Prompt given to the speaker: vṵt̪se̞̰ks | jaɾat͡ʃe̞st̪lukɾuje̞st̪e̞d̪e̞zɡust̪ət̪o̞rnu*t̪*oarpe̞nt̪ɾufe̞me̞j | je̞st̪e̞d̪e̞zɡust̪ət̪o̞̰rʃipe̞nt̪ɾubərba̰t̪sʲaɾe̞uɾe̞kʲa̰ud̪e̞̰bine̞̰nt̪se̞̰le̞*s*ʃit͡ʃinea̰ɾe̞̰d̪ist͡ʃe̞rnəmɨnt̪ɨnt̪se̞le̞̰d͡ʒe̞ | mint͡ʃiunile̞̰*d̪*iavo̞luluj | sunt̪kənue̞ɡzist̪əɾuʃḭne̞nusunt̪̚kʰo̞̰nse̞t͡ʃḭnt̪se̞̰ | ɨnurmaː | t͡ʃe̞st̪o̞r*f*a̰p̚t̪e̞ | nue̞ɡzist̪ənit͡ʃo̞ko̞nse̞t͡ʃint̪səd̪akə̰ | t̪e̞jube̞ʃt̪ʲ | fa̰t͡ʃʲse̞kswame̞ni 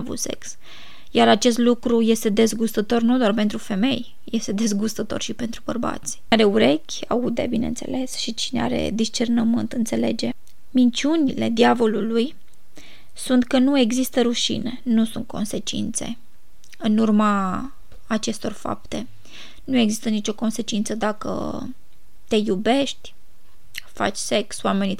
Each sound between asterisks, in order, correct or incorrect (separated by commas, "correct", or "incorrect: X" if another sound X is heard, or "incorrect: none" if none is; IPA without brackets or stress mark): incorrect: d̪, correct, correct, correct